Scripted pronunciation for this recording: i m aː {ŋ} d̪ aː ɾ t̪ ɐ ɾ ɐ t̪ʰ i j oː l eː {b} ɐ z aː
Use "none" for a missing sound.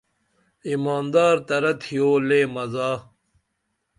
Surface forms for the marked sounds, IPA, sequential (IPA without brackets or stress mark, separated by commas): n, m